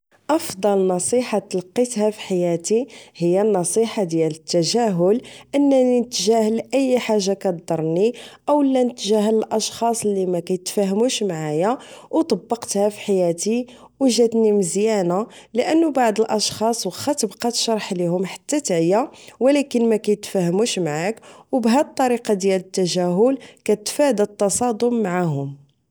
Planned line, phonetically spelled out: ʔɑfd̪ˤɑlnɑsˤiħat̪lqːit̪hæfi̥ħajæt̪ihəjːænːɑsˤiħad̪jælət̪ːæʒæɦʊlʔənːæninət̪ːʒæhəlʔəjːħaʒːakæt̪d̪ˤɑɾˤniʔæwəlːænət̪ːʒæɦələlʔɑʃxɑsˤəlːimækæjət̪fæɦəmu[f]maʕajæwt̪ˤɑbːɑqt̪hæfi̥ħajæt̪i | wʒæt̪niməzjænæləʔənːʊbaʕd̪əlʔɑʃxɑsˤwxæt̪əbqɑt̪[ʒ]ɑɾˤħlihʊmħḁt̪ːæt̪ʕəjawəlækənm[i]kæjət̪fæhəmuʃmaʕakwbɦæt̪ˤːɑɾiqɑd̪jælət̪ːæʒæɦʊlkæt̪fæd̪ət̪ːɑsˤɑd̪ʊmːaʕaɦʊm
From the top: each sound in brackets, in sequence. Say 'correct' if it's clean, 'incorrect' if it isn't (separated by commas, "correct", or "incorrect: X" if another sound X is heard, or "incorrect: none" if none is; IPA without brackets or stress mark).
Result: incorrect: ʃ, incorrect: ʃ, incorrect: æ